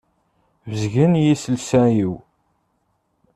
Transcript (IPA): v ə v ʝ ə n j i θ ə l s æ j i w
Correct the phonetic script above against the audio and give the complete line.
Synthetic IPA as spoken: v ə z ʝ ə n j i s ə l s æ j i w